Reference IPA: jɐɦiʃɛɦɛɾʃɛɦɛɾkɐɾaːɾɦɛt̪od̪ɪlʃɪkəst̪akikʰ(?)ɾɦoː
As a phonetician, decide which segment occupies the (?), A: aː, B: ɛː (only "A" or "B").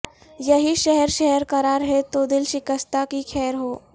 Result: B